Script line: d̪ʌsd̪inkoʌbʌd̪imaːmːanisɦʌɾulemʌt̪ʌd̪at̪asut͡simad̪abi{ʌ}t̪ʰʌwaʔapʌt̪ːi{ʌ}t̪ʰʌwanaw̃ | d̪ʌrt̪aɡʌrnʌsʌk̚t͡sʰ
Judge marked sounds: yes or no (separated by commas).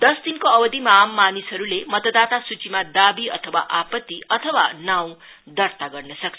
yes, yes